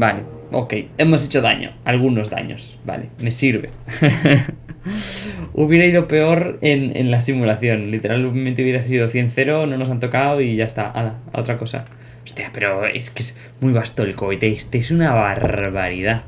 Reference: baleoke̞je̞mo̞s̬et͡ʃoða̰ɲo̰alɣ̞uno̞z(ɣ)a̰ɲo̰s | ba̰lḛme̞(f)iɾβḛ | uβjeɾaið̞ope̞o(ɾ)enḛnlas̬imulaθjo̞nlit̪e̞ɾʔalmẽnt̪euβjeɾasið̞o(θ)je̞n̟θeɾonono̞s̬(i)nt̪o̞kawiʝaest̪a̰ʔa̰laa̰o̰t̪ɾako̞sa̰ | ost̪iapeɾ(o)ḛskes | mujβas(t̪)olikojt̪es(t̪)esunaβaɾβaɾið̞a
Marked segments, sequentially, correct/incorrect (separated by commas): incorrect, incorrect, correct, correct, incorrect, correct, correct, correct